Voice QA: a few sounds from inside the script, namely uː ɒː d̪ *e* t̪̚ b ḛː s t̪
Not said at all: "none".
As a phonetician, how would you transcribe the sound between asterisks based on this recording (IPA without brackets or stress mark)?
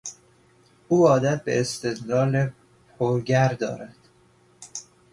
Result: æ